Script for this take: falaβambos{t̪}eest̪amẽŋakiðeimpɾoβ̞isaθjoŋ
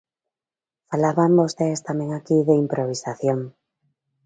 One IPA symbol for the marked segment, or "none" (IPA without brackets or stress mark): t̪